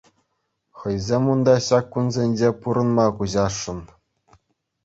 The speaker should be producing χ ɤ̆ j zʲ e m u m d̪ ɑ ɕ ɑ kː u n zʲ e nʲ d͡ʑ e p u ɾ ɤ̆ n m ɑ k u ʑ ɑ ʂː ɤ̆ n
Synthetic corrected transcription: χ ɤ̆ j zʲ e m u n d̪ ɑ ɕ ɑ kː u n zʲ e nʲ d͡ʑ e p u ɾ ɤ̆ n m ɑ k u ʑ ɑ ʂː ɤ̆ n